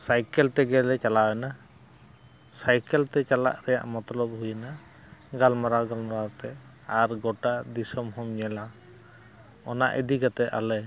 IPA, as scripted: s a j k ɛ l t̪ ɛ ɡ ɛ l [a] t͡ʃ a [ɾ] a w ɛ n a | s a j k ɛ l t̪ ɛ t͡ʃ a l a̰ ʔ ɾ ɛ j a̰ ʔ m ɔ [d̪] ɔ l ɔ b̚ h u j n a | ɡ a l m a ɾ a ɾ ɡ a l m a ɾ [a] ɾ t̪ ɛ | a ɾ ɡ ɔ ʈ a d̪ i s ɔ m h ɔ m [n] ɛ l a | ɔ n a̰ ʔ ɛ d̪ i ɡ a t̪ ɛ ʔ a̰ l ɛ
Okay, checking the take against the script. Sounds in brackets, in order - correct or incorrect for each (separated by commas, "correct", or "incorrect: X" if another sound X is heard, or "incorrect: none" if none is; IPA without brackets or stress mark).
incorrect: ɛ, incorrect: l, incorrect: t̪, correct, incorrect: ɲ